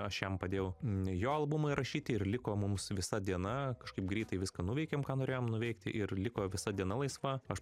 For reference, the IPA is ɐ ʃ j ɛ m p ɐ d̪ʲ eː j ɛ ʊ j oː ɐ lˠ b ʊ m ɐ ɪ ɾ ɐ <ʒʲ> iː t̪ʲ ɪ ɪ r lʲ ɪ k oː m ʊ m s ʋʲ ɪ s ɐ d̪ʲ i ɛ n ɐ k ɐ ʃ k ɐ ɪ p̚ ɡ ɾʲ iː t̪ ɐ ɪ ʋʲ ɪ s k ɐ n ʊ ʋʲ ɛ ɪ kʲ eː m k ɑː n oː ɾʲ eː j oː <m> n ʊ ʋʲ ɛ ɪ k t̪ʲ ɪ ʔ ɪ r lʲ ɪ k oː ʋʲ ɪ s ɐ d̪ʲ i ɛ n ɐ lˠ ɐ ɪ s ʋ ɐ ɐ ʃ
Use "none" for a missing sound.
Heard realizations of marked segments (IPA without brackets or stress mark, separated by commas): ʃʲ, m